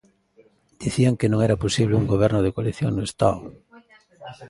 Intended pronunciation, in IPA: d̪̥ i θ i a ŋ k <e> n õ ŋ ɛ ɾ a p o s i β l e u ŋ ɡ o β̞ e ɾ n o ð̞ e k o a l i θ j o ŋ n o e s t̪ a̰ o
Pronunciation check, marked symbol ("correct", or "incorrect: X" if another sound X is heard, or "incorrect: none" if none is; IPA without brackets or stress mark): correct